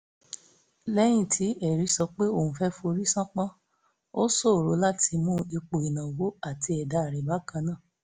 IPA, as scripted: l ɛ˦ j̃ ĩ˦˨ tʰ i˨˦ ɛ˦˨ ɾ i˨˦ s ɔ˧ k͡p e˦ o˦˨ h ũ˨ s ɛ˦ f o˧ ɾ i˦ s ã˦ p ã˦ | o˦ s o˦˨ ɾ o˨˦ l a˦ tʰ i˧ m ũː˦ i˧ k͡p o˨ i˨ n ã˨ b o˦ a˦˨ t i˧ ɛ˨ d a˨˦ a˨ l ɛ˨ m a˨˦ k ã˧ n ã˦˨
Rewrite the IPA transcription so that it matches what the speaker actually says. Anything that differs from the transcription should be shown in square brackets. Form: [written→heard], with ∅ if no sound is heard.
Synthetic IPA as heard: l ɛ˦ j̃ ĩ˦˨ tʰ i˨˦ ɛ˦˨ ɾ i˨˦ s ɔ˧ k͡p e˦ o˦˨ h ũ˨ [s→f] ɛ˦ f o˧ ɾ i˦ s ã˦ [p→k͡p] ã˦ | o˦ s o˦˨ ɾ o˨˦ l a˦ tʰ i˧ m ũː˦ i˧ k͡p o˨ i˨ n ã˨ [b→w] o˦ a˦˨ t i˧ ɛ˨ d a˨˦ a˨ [l→ɾ] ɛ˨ [m→b] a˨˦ k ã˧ n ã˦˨